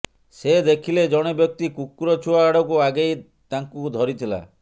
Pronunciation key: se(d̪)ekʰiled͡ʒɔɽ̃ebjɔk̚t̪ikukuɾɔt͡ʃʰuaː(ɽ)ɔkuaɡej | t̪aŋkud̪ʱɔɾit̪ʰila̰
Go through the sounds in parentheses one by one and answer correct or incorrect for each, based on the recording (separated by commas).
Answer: correct, correct